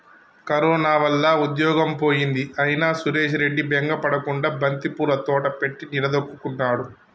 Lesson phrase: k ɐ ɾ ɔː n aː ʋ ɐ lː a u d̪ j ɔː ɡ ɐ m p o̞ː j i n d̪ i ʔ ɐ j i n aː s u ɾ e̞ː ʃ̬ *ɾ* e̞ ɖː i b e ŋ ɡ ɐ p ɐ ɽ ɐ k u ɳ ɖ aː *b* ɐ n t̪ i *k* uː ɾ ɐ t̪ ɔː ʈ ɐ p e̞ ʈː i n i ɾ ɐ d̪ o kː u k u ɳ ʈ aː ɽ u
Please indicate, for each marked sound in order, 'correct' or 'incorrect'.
correct, correct, incorrect: p

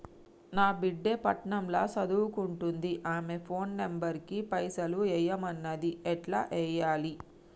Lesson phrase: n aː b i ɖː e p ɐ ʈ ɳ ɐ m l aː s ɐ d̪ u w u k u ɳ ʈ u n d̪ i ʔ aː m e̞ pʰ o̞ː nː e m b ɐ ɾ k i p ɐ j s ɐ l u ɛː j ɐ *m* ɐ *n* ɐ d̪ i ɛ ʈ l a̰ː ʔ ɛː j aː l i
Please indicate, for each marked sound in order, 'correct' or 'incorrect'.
correct, incorrect: nː

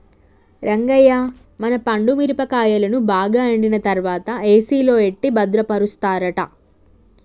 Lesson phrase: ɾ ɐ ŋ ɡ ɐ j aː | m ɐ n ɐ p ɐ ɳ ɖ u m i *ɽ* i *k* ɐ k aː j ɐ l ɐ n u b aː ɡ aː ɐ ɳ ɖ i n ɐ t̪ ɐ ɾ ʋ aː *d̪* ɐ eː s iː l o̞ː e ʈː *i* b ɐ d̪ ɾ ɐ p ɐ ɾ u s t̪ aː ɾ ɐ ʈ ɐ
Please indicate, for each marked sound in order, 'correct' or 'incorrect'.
incorrect: ɾ, incorrect: p, incorrect: t̪, correct

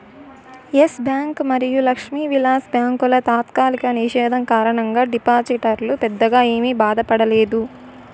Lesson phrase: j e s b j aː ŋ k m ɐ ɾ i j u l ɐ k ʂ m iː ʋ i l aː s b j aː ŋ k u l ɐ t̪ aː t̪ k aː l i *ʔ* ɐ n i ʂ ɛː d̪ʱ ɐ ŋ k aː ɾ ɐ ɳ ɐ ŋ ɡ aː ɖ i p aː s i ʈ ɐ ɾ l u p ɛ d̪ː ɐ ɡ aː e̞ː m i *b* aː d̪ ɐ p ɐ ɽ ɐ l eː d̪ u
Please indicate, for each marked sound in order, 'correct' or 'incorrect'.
incorrect: k, correct

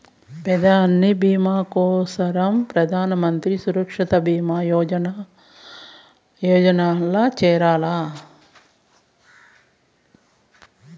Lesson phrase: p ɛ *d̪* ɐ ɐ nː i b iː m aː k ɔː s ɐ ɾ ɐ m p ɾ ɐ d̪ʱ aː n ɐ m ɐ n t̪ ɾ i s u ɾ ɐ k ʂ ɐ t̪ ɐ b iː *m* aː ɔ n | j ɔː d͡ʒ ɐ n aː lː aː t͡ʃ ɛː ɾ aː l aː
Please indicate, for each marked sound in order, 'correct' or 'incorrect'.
correct, correct

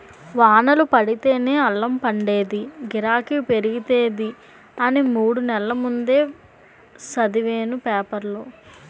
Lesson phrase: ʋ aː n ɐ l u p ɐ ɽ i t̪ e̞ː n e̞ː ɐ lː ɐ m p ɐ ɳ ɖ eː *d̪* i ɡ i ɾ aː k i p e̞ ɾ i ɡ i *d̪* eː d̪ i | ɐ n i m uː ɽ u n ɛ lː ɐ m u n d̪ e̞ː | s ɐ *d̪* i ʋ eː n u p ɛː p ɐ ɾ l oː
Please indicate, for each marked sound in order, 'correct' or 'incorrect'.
correct, incorrect: t̪, correct

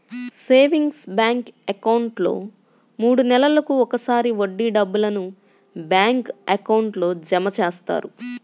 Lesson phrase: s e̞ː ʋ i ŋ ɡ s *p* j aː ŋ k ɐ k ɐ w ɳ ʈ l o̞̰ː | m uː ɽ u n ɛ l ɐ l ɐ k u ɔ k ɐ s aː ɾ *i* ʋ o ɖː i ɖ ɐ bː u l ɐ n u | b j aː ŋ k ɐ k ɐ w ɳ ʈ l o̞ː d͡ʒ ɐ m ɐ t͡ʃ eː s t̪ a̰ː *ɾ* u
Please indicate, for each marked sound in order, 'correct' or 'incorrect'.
incorrect: b, correct, correct

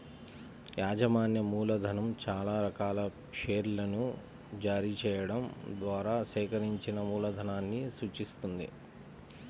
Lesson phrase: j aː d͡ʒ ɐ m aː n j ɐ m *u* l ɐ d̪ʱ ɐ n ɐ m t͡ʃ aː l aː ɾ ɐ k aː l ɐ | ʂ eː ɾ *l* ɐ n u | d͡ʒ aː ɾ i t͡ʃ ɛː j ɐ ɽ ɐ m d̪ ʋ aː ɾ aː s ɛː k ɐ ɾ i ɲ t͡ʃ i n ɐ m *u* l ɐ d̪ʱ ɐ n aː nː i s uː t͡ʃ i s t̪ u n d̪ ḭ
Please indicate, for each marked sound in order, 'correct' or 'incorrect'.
incorrect: uː, correct, incorrect: uː

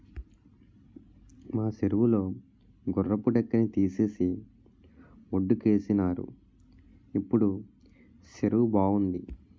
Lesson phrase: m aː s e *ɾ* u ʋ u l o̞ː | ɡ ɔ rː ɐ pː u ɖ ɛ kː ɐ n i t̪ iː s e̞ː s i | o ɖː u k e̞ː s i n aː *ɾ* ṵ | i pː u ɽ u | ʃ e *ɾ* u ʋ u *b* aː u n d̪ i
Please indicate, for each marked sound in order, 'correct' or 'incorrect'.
correct, correct, correct, correct

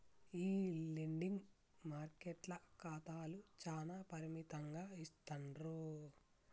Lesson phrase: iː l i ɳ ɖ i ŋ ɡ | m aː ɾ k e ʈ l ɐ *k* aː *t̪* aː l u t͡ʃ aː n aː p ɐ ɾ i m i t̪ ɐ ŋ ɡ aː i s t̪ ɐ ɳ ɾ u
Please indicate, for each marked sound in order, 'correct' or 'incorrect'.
correct, correct

